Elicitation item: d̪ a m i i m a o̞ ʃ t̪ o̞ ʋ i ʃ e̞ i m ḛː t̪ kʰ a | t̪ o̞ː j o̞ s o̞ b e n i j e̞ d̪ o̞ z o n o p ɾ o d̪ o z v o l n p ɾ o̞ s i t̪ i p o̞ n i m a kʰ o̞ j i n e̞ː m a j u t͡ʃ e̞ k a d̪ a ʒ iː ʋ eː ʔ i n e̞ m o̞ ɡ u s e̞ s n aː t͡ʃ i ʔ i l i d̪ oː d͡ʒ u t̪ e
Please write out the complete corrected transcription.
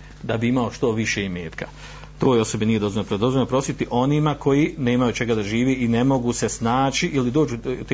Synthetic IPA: d̪ a b i i m a o̞ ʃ t̪ o̞ ʋ i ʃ e̞ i m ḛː t̪ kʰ a | t̪ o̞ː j o̞ s o̞ b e n i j e̞ d̪ o̞ z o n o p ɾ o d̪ o z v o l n p ɾ o̞ s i t̪ i ʔ o̞ n i m a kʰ o̞ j i n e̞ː m a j u t͡ʃ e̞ ɡ a d̪ a ʒ iː ʋ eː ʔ i n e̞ m o̞ ɡ u s e̞ s n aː t͡ʃ i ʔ i l i d̪ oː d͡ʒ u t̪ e